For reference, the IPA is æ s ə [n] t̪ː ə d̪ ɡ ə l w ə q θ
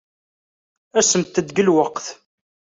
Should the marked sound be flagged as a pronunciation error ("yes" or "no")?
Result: yes